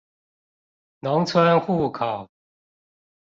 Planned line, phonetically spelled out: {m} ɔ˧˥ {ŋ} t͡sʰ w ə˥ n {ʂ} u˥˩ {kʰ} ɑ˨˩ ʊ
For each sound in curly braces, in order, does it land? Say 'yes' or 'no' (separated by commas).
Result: no, yes, no, yes